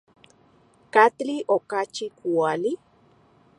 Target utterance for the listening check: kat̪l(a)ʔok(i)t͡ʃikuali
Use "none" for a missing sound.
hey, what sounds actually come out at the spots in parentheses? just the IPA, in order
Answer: i, a

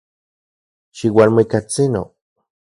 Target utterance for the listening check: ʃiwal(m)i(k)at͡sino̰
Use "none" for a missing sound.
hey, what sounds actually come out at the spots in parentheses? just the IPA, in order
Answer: m, k

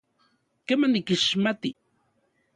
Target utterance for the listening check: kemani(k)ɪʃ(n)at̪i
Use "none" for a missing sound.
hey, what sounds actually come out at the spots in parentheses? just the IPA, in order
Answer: k, m

